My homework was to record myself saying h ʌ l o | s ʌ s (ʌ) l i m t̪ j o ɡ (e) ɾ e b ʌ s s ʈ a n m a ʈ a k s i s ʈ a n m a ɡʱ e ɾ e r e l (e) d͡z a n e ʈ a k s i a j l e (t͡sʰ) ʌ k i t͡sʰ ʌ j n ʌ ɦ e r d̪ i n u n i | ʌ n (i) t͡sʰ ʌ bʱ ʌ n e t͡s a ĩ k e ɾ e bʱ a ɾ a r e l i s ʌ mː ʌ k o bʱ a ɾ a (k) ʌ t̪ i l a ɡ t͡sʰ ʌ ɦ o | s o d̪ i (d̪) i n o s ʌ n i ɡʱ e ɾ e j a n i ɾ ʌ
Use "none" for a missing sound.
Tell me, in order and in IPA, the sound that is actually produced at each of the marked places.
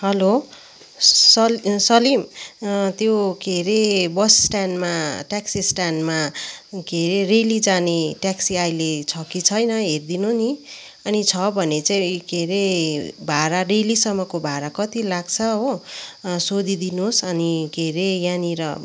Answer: ʌ, e, i, t͡sʰ, i, k, d̪

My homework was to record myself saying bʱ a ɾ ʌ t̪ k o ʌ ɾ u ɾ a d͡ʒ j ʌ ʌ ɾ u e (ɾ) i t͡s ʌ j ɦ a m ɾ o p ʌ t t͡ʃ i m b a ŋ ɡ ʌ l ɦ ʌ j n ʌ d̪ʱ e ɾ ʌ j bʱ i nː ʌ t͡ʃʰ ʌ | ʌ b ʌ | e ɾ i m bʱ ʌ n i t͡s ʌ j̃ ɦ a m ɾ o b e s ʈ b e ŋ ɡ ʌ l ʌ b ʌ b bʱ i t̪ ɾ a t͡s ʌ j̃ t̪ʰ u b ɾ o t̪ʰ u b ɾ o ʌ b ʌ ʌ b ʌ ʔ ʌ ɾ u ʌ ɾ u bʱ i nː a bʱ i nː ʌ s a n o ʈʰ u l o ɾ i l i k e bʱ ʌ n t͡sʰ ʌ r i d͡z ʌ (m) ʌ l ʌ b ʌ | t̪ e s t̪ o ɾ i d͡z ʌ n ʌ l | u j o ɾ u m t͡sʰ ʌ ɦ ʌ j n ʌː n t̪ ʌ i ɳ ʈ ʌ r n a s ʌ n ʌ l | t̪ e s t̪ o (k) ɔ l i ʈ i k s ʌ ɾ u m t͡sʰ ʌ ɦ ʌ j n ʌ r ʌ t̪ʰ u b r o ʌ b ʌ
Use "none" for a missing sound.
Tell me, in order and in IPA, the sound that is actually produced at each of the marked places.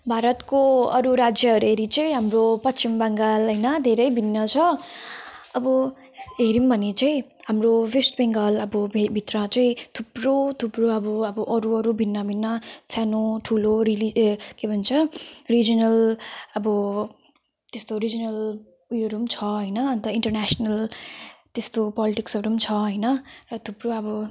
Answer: ɾ, n, p

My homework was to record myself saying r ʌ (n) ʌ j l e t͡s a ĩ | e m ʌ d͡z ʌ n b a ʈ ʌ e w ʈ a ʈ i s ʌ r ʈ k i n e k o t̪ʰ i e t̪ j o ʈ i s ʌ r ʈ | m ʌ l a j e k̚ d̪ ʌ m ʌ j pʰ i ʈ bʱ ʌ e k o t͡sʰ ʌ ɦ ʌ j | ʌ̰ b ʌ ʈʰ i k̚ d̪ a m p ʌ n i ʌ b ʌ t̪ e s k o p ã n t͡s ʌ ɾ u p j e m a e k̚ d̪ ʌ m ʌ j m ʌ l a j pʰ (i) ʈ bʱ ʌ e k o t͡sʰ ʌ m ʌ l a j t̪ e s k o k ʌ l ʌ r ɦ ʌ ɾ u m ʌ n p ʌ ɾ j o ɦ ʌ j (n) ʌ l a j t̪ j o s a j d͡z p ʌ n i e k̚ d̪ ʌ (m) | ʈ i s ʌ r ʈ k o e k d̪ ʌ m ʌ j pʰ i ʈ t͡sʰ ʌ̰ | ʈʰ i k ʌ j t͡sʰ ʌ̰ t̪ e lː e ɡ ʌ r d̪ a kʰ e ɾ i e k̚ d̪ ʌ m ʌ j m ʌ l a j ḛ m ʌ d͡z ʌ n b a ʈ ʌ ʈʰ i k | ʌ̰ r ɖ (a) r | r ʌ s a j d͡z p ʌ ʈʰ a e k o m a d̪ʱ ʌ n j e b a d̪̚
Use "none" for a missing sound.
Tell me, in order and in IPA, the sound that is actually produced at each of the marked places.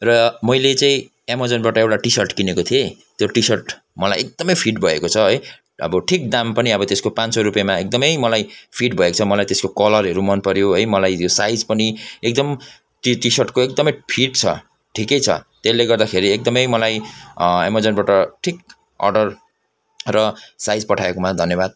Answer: m, i, m, m, ʌ

